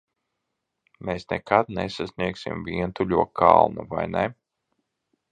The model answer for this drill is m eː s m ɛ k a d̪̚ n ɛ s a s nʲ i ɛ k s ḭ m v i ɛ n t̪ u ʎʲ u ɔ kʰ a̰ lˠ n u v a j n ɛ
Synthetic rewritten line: m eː s n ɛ k a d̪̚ n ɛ s a s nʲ i ɛ k s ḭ m v i ɛ n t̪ u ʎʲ u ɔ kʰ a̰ lˠ n u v a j n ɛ